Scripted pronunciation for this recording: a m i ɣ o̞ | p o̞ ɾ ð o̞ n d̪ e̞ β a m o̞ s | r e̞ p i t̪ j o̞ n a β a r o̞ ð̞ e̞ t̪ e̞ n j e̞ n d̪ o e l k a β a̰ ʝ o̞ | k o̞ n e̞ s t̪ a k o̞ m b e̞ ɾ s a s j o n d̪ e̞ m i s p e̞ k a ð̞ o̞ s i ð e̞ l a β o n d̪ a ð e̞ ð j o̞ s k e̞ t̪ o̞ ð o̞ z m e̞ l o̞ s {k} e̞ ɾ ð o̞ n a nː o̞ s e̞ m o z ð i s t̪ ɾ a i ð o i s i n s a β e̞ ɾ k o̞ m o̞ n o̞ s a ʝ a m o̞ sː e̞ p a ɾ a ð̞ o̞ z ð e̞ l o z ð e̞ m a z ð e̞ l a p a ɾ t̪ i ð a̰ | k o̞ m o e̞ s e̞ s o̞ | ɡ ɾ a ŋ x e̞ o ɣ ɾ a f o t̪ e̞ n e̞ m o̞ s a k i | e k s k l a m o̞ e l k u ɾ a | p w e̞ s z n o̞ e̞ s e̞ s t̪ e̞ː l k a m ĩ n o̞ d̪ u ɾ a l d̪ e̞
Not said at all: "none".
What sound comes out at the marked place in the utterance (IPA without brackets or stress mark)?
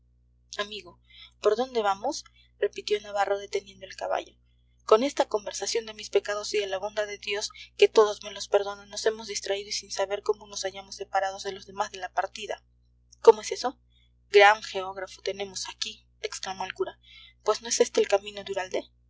p